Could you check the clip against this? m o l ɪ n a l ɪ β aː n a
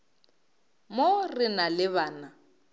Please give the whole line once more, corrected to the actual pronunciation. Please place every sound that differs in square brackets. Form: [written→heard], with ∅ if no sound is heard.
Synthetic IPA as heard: m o [l→r] ɪ n a l ɪ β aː n a